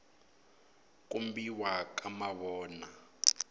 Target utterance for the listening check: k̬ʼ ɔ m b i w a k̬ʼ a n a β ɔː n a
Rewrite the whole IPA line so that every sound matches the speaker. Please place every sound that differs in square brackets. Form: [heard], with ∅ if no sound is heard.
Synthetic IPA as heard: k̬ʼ [u] m b i w a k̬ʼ a [m] a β ɔː n a